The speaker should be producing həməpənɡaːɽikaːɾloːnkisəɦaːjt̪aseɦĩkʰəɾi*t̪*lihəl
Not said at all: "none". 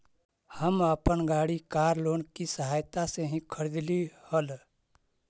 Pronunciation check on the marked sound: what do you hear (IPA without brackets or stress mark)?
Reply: d̪